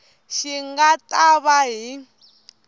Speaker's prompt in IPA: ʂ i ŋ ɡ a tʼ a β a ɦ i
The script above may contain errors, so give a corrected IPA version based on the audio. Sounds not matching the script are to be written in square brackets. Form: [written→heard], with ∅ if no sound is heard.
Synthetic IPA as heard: [ʂ→ʃ] i ŋ ɡ a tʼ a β a ɦ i